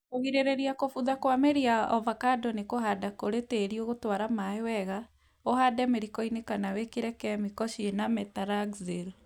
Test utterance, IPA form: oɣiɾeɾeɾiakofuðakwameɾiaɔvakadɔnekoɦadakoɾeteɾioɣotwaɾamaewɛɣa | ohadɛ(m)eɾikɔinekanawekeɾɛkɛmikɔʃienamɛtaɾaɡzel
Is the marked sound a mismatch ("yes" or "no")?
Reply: no